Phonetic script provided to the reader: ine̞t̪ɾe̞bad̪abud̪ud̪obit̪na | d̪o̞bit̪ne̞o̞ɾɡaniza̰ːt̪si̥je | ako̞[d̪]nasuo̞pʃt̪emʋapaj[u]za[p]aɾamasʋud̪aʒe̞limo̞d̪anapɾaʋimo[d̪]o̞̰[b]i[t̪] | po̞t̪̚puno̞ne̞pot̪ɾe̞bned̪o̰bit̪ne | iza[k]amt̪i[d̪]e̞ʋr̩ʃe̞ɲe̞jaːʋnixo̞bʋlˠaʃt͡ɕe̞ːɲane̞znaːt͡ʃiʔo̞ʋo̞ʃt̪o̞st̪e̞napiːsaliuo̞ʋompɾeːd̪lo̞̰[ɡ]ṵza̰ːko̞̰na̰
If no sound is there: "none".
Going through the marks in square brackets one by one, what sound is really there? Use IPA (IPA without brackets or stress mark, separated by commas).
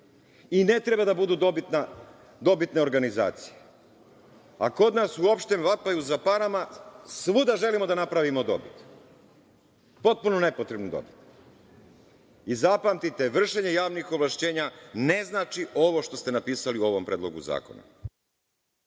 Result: d̪, u, p, d̪, b, t̪, p, t̪, ɡ